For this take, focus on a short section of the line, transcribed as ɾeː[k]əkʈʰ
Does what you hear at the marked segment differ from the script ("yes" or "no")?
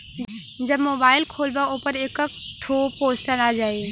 no